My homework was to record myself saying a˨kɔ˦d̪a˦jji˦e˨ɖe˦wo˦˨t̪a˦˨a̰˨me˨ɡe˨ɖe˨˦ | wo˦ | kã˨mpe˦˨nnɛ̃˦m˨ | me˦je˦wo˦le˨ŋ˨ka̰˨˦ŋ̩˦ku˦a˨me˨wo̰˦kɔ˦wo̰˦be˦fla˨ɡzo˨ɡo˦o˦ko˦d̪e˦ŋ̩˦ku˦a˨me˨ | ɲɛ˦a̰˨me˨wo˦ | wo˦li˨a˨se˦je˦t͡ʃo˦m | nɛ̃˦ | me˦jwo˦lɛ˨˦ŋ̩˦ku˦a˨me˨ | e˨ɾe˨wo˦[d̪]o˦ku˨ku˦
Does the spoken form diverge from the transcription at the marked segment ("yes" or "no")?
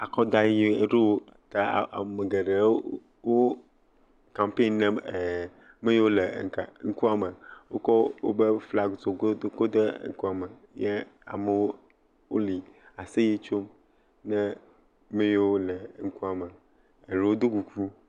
no